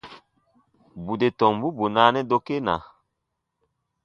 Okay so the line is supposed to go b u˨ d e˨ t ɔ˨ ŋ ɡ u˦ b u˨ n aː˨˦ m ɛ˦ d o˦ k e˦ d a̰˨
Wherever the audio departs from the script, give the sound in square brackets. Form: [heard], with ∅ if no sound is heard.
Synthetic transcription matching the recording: b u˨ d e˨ t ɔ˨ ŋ [b] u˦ b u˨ n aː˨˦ [n] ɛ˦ d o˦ k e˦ [n] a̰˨

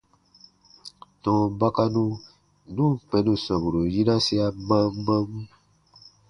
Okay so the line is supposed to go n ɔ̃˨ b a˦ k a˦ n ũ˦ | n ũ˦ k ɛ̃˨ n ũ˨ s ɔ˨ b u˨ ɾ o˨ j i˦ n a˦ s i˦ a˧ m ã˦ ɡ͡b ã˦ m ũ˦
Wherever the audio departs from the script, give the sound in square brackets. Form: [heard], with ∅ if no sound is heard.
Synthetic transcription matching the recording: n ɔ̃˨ b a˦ k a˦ n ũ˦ | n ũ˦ [k͡p] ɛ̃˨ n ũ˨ s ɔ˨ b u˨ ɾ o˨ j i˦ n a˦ s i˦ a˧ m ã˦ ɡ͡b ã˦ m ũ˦

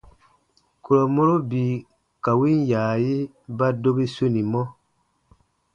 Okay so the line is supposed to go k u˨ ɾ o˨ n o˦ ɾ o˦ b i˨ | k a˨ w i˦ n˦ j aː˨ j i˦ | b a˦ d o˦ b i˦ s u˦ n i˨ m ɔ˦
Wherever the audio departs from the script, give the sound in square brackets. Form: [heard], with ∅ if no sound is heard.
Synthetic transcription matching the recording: k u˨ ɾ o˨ [m] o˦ ɾ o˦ b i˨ | k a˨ w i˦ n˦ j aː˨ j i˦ | b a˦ d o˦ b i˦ s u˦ n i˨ m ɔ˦

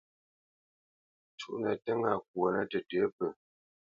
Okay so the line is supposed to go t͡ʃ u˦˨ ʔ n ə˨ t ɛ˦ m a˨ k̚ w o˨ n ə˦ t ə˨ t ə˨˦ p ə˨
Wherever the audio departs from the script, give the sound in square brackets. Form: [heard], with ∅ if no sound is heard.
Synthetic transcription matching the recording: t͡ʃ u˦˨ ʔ n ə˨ t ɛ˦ [ŋ] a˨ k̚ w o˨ n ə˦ t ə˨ t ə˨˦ p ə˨

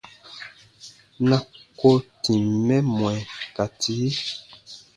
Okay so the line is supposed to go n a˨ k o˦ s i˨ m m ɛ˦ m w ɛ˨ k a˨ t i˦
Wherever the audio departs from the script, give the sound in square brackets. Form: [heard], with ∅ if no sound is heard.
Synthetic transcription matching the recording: n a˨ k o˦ [t] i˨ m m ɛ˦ m w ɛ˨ k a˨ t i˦

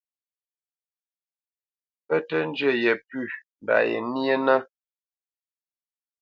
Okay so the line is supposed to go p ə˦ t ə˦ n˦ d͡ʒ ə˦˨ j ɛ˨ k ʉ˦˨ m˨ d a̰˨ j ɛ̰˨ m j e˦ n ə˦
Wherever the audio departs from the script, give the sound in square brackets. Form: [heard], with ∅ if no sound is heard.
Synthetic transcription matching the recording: p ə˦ t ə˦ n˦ d͡ʒ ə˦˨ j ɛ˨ [p] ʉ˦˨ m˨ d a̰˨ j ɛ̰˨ [n] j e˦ n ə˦

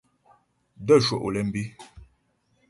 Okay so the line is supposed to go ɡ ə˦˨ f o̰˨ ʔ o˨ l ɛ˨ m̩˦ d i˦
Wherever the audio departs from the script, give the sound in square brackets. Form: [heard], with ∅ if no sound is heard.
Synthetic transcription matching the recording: [d] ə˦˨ [ʃ] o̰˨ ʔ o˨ l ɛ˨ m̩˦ [b] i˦

